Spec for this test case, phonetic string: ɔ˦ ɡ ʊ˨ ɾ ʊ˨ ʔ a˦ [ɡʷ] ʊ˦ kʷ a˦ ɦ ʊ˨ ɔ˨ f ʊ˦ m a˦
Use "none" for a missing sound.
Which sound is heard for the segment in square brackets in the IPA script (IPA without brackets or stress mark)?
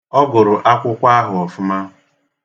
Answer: kʷ